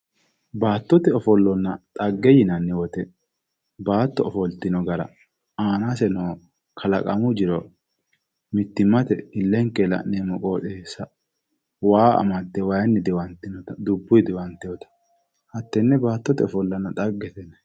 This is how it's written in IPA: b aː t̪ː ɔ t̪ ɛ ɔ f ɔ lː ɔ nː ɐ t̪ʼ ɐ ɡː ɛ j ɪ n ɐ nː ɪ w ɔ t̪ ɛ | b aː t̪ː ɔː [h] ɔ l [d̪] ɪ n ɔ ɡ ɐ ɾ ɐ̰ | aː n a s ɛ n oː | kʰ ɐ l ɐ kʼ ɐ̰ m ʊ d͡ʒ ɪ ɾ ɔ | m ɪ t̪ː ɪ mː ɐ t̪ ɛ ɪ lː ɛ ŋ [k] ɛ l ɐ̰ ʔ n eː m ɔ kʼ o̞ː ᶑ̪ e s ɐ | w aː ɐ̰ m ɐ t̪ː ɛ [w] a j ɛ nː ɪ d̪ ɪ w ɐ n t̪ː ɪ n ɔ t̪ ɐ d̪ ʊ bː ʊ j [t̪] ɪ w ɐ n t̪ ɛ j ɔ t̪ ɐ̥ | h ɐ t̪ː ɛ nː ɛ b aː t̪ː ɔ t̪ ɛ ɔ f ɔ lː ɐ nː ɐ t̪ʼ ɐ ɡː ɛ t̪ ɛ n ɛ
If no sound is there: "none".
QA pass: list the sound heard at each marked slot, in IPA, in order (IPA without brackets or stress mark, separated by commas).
f, t̪, k, w, d̪